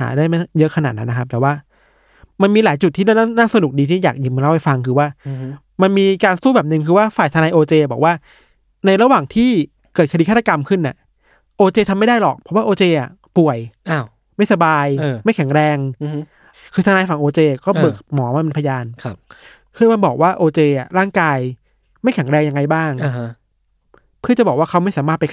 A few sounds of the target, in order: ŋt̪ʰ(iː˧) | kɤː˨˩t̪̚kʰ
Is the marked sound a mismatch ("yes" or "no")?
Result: yes